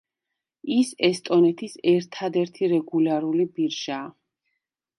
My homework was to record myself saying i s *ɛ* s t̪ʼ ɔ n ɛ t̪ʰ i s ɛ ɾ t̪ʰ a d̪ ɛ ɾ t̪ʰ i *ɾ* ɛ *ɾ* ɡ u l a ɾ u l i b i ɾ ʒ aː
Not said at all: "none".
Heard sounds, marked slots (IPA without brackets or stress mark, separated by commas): ɛ, ɾ, none